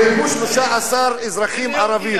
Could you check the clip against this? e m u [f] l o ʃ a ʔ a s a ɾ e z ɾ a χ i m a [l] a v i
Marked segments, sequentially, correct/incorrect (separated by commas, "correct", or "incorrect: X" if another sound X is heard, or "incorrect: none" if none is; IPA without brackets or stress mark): incorrect: ʃ, incorrect: ɾ